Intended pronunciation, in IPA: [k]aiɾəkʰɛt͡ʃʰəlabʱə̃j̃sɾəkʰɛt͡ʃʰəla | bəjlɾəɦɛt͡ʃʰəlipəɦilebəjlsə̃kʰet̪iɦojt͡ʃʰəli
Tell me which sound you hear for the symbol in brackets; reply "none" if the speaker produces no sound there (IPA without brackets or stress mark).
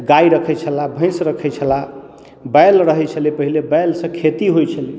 ɡ